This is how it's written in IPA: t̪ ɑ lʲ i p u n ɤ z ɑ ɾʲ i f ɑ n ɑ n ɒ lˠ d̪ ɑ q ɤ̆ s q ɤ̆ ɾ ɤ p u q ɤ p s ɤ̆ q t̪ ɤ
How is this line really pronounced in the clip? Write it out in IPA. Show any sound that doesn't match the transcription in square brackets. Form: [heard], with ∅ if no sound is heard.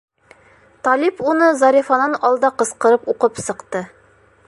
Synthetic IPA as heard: t̪ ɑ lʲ i p u n ɤ z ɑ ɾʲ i f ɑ n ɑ n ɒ lˠ d̪ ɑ q ɤ̆ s q ɤ̆ ɾ ɤ p u q ɤ p s ɤ̆ q t̪ ɤ